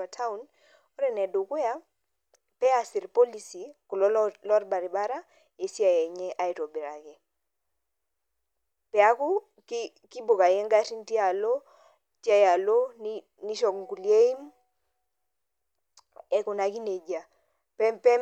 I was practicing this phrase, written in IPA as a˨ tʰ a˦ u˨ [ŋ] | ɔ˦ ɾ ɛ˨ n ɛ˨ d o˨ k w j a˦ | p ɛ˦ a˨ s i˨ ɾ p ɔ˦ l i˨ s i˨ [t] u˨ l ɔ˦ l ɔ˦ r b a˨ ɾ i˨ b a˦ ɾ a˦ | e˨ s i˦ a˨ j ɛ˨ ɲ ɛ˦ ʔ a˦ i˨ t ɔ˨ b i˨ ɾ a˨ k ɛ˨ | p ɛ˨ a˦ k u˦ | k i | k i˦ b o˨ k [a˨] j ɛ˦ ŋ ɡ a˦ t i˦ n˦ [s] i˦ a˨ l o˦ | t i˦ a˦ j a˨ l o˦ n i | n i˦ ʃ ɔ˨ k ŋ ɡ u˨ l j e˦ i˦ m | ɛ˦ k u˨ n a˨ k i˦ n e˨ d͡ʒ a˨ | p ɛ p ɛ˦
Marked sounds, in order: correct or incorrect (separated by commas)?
incorrect, incorrect, correct, incorrect